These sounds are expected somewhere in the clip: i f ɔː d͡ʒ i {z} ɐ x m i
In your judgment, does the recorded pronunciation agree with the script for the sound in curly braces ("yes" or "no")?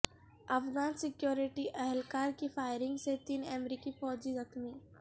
yes